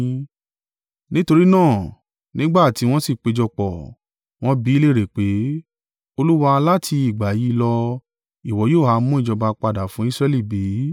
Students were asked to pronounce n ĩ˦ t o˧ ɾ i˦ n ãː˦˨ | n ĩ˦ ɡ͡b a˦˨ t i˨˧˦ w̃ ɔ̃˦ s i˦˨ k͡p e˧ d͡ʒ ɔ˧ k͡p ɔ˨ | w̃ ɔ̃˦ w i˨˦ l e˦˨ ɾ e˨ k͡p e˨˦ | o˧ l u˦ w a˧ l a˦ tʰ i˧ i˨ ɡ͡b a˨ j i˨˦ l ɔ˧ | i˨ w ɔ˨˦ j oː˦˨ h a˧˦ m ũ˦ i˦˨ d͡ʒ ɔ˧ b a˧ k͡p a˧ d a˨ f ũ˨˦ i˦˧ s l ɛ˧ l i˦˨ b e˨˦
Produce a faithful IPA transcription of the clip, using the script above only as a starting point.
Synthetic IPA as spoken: n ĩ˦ t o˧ ɾ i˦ n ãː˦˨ | n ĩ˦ ɡ͡b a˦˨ t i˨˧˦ w̃ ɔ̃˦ s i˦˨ k͡p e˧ d͡ʒ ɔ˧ k͡p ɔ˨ | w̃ ɔ̃˦ b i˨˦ l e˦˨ ɾ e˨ k͡p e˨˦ | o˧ l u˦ w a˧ l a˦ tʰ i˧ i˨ ɡ͡b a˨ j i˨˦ l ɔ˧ | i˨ w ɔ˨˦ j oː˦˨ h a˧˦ m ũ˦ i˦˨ d͡ʒ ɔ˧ b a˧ k͡p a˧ d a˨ f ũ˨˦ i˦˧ s ɾ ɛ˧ l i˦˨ b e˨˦

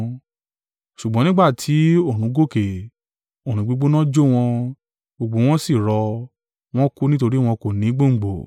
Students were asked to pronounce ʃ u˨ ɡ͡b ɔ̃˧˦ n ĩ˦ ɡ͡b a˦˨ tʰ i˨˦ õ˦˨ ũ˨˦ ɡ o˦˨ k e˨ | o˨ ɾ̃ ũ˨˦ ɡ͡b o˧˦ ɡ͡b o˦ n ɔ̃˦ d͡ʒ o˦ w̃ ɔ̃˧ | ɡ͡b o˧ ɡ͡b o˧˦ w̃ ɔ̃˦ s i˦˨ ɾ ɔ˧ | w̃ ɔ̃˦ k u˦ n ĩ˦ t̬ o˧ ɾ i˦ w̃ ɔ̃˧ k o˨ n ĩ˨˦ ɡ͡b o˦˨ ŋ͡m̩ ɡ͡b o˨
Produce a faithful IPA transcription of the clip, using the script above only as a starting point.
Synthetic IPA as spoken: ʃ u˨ ɡ͡b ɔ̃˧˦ n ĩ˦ ɡ͡b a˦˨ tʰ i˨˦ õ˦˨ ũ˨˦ ɡ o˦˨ k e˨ | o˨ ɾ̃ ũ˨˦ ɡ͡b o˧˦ ɡ͡b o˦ n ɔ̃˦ d͡ʒ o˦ w̃ ɔ̃˧ | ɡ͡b o˧ ɡ͡b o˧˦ w̃ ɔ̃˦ s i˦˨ ɾ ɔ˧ | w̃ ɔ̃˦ k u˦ n ĩ˦ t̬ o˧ ɾ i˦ w̃ ɔ̃˧ k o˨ n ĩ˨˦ ɡ͡b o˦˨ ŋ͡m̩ ɡ͡b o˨

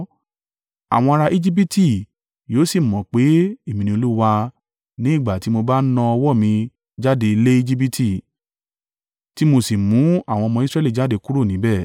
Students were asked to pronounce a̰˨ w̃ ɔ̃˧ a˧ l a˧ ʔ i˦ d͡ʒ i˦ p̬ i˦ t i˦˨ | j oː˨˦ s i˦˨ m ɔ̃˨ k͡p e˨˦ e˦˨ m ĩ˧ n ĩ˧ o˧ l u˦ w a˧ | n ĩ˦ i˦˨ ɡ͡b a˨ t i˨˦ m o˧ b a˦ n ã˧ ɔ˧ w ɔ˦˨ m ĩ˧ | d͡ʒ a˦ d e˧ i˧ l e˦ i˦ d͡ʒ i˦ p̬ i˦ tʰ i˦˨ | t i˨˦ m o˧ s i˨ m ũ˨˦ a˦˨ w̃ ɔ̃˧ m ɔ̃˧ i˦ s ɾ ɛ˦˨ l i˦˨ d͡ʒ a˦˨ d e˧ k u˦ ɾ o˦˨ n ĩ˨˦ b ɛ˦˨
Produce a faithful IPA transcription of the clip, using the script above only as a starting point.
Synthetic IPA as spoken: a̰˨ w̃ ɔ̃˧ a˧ ɾ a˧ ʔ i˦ d͡ʒ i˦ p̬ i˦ t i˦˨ | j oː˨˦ s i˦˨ m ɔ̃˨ k͡p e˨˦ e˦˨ m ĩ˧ n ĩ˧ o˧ l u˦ w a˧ | n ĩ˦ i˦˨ ɡ͡b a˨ t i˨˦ m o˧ b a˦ n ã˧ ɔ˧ w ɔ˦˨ m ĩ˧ | d͡ʒ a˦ d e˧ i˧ l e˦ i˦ d͡ʒ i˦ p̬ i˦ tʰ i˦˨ | t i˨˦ m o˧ s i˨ m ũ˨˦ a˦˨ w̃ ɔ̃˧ m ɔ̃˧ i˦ s ɾ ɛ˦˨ l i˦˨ d͡ʒ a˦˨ d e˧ k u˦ ɾ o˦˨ n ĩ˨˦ b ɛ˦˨

